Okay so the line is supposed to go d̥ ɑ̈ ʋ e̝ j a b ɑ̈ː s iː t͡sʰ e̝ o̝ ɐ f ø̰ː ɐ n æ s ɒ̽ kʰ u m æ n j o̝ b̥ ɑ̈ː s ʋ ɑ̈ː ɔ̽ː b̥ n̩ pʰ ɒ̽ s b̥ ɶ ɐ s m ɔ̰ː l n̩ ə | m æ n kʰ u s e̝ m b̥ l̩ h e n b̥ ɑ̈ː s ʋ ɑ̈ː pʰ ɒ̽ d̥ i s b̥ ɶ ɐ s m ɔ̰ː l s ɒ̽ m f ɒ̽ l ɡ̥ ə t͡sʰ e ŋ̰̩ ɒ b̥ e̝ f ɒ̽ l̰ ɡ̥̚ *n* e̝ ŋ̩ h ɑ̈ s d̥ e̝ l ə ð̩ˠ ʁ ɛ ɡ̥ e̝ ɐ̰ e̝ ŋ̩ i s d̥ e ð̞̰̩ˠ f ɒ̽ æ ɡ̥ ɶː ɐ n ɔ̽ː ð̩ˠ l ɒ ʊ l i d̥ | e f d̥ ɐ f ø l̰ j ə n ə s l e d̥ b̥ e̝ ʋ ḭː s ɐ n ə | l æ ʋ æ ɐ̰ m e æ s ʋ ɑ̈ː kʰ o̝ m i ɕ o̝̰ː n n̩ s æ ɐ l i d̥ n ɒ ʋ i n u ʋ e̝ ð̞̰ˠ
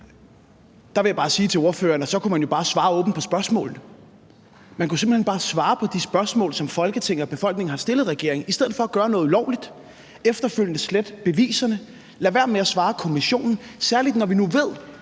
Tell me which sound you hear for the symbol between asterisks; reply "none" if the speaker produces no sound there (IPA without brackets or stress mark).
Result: n